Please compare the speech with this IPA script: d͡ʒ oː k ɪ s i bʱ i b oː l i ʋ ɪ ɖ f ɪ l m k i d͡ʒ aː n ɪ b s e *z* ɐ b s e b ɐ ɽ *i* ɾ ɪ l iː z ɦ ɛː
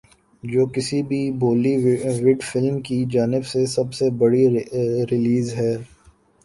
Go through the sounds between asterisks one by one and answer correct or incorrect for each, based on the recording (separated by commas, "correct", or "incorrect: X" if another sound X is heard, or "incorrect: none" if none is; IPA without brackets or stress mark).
incorrect: s, correct